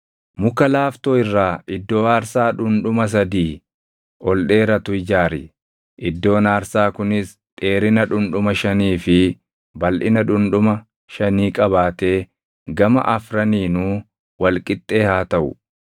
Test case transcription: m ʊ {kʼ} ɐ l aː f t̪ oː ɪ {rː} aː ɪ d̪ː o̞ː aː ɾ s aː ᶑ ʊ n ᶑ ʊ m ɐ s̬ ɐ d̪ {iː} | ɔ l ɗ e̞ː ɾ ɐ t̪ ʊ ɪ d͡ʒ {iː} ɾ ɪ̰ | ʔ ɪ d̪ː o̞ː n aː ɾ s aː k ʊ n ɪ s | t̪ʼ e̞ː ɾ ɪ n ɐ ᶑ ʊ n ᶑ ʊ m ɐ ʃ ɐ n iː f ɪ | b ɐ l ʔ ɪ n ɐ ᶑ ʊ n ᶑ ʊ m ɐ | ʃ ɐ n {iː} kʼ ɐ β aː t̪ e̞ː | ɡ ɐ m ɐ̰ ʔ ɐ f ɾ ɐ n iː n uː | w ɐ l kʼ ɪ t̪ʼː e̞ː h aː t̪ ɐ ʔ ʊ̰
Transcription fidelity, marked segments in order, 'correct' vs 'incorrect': incorrect: k, correct, correct, incorrect: aː, correct

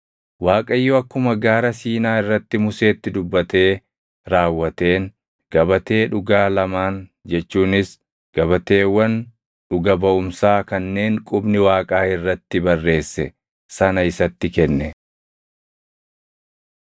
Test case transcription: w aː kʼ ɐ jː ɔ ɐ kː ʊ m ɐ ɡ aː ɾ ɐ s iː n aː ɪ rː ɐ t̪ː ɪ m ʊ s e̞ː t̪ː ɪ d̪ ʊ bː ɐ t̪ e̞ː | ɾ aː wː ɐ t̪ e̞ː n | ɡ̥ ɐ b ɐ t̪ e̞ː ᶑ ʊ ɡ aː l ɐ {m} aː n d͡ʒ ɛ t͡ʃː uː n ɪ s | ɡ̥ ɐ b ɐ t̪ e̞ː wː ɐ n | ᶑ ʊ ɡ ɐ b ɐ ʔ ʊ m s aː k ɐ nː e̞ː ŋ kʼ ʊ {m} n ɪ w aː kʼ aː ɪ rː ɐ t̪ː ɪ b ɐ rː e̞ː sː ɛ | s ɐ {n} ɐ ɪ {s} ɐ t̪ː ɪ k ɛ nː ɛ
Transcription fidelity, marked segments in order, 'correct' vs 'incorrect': correct, incorrect: b, correct, correct

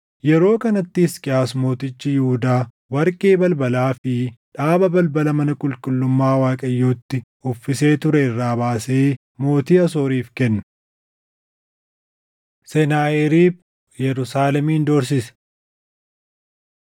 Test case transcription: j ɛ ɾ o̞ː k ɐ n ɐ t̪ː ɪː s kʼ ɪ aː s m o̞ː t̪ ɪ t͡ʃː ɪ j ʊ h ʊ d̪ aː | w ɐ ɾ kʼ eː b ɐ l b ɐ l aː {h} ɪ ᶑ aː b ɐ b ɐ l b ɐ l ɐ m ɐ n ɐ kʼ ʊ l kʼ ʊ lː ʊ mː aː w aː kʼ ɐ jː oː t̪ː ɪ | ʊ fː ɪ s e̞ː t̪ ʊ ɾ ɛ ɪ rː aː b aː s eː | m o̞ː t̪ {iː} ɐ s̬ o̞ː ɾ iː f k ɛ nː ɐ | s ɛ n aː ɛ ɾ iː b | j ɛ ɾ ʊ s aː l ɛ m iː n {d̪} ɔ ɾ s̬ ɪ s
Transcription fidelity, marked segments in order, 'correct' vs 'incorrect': incorrect: f, correct, correct

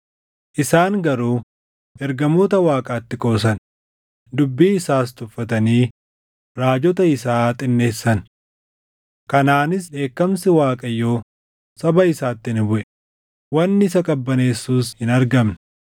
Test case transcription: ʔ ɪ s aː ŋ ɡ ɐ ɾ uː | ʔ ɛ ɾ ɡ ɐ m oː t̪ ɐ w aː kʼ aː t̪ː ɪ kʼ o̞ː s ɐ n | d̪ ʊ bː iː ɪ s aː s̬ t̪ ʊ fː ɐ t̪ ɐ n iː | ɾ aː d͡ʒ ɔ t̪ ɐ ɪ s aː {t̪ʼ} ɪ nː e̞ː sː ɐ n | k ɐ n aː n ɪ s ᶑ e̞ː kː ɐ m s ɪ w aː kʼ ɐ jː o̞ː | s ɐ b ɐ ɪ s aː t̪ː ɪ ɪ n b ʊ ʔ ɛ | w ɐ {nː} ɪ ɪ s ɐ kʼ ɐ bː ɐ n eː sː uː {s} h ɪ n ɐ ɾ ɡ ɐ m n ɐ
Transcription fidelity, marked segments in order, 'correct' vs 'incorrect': correct, correct, correct

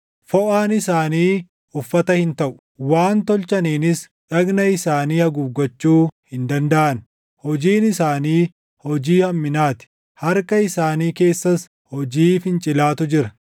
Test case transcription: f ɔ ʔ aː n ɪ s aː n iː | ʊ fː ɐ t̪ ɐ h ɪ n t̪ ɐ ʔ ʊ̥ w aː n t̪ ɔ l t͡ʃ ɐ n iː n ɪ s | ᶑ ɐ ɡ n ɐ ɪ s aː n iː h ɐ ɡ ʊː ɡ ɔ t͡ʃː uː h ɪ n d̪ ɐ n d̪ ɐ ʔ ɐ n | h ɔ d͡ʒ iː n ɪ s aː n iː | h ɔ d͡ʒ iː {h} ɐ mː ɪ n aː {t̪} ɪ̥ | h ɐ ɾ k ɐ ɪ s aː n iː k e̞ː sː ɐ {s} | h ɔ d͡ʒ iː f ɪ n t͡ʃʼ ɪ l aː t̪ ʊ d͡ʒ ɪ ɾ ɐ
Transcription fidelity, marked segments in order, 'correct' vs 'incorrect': correct, correct, correct

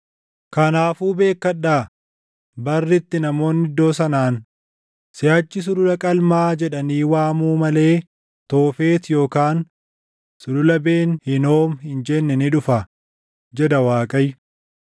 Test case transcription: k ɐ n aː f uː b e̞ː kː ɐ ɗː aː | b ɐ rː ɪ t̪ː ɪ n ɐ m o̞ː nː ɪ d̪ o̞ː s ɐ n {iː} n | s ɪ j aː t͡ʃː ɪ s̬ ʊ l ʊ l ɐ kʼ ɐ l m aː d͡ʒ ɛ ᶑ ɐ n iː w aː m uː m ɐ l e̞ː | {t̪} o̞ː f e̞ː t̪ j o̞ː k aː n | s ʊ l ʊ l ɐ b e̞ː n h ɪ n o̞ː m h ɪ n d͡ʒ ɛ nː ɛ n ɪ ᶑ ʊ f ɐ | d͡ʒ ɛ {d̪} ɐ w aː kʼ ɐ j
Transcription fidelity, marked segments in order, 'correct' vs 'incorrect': incorrect: aː, correct, correct

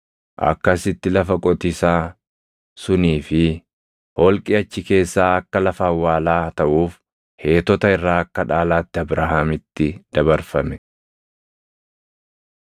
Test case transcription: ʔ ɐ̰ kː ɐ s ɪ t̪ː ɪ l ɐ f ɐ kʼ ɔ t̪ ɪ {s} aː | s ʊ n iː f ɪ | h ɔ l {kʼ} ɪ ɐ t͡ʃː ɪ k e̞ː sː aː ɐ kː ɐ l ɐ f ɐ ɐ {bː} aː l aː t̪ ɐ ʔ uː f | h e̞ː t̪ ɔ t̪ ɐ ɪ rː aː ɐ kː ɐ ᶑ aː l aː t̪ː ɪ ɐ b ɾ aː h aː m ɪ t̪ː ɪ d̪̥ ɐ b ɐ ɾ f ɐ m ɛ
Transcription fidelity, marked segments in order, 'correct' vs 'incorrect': correct, correct, incorrect: wː

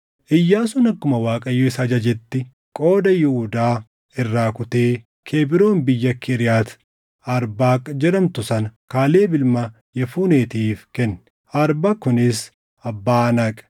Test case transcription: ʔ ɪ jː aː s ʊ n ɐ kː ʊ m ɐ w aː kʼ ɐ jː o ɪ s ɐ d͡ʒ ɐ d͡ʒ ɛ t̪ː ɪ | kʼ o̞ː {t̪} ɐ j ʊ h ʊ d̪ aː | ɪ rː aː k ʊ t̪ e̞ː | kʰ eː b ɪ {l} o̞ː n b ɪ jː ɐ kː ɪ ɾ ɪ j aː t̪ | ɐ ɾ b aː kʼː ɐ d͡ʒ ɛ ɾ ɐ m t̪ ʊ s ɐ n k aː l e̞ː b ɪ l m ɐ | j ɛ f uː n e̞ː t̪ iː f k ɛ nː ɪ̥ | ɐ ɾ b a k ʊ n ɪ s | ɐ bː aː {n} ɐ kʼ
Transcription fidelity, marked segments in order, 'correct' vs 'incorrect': incorrect: d̪, incorrect: ɾ, correct

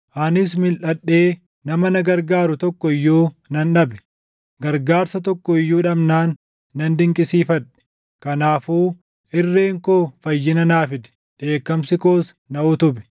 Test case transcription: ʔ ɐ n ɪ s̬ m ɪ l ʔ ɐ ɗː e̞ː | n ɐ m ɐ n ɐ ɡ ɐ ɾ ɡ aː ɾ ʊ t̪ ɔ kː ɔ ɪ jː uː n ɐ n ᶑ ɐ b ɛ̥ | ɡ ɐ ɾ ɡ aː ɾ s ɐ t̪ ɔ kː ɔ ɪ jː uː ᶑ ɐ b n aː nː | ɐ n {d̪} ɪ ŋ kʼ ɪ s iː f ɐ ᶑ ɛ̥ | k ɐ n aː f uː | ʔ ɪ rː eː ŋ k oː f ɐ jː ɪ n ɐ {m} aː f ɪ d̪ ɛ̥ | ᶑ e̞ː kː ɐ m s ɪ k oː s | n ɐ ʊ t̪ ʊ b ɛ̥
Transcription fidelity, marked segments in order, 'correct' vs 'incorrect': correct, incorrect: n

